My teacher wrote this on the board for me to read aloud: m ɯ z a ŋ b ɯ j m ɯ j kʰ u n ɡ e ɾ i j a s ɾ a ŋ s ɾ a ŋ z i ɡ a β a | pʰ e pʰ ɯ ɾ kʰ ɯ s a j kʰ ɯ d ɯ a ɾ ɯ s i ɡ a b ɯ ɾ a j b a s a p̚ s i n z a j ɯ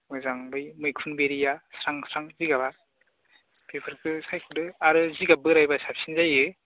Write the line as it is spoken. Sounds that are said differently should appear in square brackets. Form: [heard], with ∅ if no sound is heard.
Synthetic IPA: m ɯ z a ŋ b ɯ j m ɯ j kʰ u n [b] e ɾ i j a s ɾ a ŋ s ɾ a ŋ z i ɡ a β a | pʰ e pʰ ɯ ɾ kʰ ɯ s a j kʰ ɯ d ɯ a ɾ ɯ [z] i ɡ a b ɯ ɾ a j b a s a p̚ s i n z a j ɯ